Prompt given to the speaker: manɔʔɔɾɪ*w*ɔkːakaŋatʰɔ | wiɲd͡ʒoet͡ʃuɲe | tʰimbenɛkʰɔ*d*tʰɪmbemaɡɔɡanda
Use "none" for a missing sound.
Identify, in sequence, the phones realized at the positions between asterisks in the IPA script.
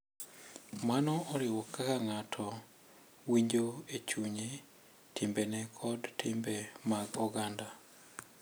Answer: w, d

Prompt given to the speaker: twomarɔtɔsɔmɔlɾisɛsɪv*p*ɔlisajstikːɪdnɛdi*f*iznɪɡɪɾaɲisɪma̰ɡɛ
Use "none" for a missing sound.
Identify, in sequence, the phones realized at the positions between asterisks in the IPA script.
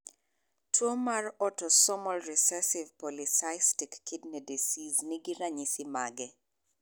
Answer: p, s

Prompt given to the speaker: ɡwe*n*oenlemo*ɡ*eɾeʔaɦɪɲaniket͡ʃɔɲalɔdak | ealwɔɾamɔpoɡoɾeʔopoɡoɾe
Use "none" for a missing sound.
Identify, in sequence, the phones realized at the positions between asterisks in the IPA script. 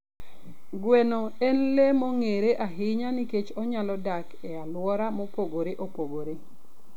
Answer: n, ŋ

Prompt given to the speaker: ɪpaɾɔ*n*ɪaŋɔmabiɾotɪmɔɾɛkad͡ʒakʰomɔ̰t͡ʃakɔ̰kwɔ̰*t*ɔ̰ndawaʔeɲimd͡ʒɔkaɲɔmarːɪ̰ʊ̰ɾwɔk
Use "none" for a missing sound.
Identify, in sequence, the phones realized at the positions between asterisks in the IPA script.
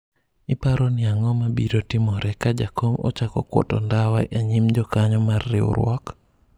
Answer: n, t

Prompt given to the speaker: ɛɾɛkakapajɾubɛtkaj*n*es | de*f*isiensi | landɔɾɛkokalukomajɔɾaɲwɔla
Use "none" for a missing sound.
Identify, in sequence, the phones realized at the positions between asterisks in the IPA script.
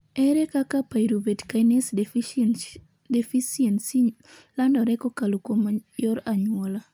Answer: n, f

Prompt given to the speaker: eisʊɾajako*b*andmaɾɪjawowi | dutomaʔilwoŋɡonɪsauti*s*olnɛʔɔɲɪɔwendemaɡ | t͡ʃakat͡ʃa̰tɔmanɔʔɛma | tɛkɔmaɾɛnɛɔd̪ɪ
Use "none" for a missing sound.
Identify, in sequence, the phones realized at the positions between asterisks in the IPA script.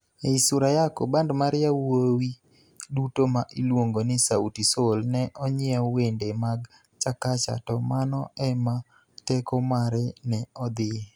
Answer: b, s

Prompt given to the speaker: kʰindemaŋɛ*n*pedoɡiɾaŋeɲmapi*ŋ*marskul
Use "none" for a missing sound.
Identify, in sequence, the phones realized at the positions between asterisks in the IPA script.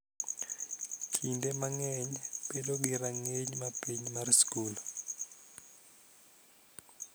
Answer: ɲ, ɲ

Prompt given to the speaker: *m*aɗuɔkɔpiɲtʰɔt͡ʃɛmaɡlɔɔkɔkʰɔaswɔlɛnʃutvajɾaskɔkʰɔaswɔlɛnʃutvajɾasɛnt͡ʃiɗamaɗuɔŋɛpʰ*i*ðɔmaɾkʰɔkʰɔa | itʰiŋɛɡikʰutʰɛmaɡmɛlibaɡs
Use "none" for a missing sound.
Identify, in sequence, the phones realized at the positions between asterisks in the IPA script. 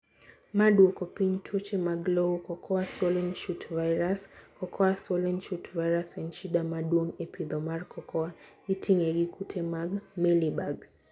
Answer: m, i

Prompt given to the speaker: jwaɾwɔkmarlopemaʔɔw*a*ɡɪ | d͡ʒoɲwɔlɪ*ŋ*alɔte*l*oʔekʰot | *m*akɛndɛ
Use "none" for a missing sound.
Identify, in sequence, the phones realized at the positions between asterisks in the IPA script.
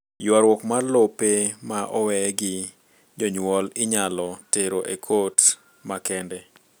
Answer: ɛ, ɲ, ɾ, m

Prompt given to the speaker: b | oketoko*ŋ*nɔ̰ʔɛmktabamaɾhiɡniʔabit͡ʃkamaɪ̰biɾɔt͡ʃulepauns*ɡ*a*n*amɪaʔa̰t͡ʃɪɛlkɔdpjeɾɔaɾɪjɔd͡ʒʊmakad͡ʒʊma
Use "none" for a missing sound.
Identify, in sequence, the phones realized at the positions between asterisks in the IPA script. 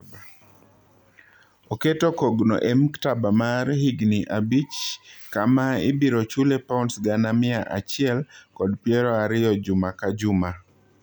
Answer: ɡ, ɡ, n

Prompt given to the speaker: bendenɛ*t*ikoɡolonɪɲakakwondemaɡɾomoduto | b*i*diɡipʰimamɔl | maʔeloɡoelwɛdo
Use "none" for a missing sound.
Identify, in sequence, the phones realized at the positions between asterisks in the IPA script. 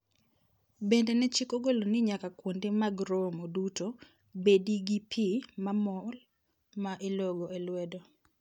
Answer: t͡ʃ, e

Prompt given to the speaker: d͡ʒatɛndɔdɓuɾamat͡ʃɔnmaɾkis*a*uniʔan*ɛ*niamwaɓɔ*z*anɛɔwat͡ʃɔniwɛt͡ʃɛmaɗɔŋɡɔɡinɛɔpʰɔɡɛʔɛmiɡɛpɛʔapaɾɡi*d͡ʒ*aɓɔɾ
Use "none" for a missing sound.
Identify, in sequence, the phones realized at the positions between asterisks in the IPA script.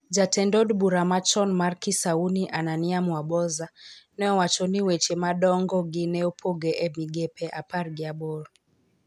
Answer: a, a, z, none

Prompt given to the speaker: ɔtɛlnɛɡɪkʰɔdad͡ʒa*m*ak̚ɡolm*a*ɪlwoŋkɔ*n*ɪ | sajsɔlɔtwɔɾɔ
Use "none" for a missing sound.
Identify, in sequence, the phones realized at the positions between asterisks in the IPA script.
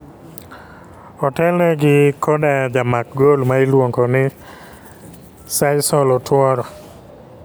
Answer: m, a, n

